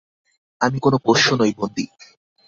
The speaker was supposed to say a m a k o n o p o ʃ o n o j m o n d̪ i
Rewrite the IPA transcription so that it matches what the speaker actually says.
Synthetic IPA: a m i k o n o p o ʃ o n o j b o n d̪ i